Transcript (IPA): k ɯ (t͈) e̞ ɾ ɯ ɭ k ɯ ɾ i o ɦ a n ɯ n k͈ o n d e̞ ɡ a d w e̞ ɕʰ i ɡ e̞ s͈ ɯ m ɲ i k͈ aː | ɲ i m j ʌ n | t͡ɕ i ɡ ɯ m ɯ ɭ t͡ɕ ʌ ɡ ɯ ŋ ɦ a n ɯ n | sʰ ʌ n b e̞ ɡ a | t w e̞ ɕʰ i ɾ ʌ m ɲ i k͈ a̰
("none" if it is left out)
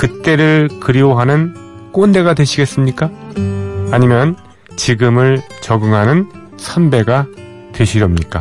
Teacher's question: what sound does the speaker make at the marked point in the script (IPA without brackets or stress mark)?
t͈